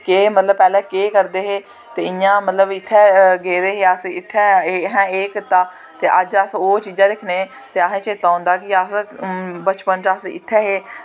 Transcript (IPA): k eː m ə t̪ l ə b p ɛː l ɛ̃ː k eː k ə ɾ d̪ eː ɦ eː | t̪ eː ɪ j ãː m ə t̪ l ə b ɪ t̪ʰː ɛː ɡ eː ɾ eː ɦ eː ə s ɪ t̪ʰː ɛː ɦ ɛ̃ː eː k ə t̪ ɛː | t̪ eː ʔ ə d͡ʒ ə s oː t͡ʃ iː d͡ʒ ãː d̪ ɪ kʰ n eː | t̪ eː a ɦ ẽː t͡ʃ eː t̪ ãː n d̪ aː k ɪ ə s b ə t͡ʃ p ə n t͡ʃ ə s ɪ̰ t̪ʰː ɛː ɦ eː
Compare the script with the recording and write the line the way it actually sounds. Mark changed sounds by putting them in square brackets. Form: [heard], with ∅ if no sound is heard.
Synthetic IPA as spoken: k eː m ə t̪ l ə b p ɛː l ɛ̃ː k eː k ə ɾ d̪ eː ɦ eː | t̪ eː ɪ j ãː m ə t̪ l ə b ɪ t̪ʰː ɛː ɡ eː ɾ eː ɦ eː ə s ɪ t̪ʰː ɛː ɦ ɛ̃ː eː k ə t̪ [aː] | t̪ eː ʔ ə d͡ʒ ə s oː t͡ʃ iː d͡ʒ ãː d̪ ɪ kʰ n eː | t̪ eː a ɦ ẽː t͡ʃ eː t̪ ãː n d̪ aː k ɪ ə s b ə t͡ʃ p ə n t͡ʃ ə s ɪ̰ t̪ʰː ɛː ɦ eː